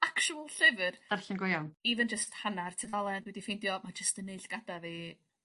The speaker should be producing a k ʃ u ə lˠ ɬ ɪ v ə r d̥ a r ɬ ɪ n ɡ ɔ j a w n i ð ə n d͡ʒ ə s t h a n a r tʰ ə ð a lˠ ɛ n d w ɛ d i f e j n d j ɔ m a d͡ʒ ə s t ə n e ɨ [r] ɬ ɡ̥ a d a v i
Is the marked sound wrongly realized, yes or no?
yes